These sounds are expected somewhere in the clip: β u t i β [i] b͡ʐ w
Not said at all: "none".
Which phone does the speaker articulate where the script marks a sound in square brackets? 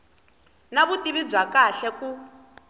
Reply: i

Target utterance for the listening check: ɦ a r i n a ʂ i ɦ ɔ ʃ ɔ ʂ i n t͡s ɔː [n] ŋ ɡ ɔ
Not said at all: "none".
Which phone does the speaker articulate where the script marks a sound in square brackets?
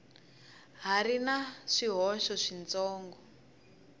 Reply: none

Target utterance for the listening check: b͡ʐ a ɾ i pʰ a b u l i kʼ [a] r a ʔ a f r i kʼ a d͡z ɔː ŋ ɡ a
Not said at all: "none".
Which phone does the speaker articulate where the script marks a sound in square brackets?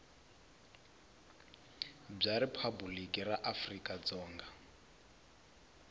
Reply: i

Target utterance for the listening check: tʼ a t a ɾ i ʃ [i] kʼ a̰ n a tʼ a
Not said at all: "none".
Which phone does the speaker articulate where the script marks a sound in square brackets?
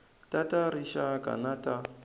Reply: a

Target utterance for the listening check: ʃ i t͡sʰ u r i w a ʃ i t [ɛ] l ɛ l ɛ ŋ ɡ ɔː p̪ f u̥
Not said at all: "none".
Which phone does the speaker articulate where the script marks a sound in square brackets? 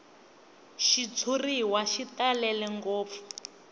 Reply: a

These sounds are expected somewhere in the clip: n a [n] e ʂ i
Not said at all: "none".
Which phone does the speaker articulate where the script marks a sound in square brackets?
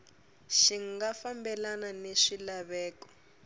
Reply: n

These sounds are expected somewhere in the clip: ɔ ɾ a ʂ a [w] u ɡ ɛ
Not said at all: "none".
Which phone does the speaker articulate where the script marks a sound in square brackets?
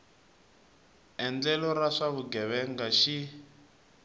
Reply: β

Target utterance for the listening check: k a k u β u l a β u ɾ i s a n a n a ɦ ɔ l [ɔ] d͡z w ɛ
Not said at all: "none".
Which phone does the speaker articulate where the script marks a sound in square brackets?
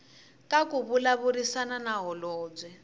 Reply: ɔː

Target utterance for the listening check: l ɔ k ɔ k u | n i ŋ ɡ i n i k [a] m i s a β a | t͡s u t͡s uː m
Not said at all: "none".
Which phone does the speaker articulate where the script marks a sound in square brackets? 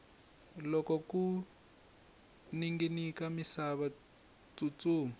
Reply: a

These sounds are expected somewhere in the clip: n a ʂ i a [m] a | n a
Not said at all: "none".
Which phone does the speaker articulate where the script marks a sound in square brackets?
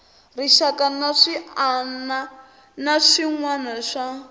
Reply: n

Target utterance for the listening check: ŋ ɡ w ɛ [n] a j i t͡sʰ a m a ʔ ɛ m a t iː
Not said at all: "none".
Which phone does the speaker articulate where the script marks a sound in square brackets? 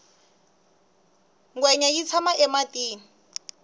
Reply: ɲ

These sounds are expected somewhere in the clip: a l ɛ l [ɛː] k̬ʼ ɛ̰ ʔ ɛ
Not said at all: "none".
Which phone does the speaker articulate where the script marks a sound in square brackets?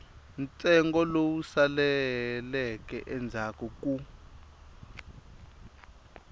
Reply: ɛ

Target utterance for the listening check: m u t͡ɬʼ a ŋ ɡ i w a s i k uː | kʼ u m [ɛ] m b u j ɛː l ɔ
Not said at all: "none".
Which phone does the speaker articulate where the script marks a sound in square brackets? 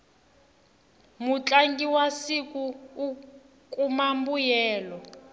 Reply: a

